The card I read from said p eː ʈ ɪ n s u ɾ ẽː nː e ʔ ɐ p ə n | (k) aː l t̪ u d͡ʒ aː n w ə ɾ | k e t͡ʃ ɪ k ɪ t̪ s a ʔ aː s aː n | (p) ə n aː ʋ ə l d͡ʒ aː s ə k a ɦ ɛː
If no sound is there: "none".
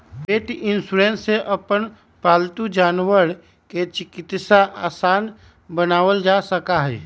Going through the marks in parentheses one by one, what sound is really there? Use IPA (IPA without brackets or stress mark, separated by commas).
p, b